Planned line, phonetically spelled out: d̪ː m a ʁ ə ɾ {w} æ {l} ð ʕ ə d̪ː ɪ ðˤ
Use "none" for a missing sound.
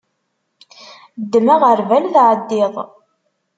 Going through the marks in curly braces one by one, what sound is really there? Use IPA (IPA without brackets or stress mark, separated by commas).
v, l